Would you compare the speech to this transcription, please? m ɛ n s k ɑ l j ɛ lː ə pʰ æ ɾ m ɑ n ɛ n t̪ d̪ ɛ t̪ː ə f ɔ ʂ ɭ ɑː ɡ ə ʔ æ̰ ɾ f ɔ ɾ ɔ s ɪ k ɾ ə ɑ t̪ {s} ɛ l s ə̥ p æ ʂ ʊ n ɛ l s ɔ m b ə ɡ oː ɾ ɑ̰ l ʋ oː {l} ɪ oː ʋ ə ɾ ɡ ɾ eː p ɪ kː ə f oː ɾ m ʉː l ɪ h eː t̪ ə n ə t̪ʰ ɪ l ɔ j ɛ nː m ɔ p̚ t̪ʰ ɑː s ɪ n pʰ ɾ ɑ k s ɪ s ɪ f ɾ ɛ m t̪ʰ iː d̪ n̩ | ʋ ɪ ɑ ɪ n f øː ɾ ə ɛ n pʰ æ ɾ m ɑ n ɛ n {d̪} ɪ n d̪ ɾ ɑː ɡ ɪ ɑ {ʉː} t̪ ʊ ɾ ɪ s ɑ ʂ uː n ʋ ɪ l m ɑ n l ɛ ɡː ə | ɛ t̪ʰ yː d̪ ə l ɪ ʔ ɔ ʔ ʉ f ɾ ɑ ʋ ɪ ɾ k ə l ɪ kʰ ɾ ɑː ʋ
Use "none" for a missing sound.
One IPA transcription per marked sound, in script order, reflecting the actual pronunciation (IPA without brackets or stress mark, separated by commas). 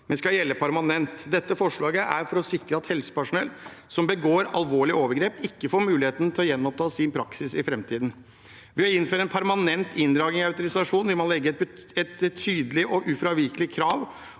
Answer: h, ɭ, t̪, ʉ